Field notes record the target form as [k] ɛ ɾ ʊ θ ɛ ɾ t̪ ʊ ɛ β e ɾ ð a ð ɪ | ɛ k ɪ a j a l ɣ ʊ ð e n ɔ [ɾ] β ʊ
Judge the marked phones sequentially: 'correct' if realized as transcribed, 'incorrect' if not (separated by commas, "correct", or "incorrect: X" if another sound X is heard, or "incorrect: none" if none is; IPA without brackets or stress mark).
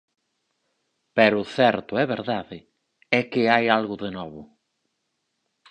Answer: incorrect: p, incorrect: none